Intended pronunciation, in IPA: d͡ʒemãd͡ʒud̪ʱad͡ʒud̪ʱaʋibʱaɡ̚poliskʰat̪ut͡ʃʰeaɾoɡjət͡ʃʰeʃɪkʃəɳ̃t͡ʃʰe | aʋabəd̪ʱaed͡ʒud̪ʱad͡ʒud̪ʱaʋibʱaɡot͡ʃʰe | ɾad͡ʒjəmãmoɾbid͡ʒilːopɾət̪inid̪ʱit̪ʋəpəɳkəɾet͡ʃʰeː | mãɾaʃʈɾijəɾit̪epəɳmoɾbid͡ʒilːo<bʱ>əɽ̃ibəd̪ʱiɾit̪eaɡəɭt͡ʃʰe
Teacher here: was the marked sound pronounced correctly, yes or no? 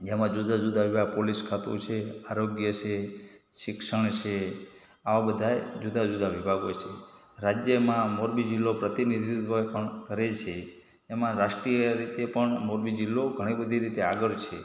no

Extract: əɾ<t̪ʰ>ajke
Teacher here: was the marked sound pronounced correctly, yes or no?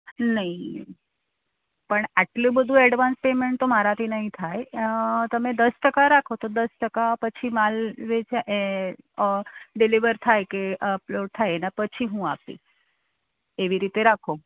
yes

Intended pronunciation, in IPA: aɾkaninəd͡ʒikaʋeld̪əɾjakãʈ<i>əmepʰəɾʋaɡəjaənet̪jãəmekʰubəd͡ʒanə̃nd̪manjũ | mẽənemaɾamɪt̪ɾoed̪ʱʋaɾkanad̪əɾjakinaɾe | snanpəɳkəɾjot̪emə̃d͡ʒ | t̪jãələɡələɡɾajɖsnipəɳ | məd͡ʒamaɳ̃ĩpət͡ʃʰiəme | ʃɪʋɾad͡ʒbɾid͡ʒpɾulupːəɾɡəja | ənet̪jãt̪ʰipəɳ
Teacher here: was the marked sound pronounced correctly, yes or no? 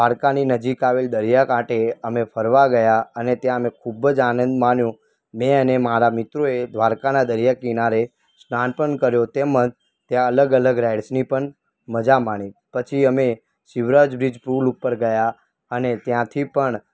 no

